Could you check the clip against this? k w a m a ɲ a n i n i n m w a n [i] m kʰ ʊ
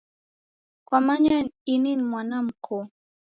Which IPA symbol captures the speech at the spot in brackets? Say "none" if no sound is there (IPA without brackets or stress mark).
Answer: a